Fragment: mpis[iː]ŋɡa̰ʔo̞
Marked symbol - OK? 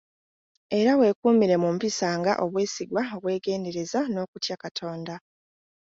no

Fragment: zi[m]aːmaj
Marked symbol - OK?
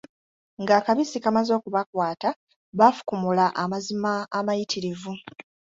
yes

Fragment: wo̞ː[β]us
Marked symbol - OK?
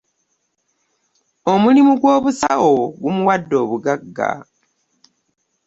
yes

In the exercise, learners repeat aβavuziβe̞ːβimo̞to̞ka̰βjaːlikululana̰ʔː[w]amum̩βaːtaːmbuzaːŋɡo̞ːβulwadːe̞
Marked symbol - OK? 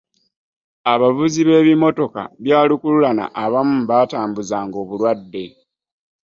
no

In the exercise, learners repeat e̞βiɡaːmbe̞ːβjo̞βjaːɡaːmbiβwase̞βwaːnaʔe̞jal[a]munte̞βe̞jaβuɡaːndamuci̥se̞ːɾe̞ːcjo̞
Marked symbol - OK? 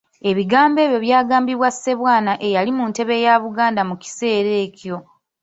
no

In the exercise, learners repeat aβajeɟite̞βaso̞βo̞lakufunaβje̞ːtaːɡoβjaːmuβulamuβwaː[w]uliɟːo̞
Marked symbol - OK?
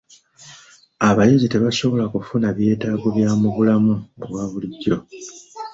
no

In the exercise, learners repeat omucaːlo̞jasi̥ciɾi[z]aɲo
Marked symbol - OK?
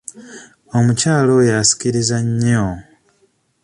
yes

